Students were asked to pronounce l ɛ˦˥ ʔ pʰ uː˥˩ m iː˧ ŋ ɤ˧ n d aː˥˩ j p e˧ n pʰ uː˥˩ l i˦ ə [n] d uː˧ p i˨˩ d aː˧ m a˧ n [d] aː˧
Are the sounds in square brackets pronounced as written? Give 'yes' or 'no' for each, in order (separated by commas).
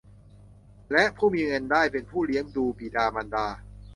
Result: no, yes